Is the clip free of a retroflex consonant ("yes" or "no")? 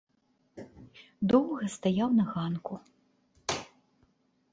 yes